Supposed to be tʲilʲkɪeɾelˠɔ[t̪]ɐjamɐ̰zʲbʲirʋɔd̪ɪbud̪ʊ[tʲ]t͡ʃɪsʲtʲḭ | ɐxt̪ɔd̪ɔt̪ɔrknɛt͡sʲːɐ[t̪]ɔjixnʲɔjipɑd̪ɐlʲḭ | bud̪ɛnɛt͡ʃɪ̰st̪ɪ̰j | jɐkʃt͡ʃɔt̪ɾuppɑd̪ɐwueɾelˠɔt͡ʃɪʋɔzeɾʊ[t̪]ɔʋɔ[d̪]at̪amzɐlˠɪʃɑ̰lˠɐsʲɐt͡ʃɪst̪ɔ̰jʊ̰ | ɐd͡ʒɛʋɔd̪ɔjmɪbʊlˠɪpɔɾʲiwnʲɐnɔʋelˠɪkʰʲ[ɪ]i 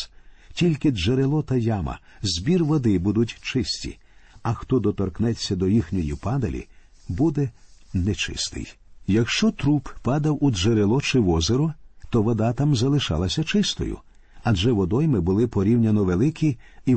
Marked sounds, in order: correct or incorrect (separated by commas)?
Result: correct, correct, incorrect, correct, correct, incorrect